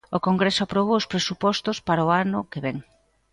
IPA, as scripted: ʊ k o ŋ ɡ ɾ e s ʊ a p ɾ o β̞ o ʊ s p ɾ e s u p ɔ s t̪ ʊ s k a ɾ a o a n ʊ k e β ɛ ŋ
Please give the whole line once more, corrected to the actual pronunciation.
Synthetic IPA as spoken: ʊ k o ŋ ɡ ɾ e s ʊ a p ɾ o β̞ o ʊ s p ɾ e s u p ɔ s t̪ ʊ s p a ɾ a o a n ʊ k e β ɛ ŋ